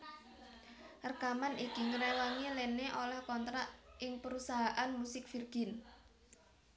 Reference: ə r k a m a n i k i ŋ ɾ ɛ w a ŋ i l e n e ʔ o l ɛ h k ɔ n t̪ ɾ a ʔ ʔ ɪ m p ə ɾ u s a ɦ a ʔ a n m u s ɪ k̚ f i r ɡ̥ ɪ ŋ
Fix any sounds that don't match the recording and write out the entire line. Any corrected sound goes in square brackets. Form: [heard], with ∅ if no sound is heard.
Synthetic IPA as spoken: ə r k a m a n i k i ŋ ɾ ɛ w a ŋ i l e n e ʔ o l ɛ h k ɔ n t̪ ɾ a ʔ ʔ ɪ [ŋ] p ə ɾ u s a ɦ a ʔ a n m u s ɪ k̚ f i r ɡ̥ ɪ [n]